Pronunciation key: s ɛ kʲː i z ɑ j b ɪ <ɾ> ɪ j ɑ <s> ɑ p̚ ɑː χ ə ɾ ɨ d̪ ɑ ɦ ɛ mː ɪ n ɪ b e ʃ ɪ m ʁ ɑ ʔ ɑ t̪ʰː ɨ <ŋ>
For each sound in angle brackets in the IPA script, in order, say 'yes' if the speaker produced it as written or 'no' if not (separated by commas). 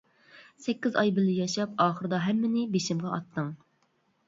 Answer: no, no, yes